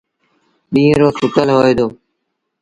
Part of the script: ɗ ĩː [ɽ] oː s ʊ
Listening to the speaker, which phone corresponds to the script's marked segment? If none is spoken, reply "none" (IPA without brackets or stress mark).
ɾ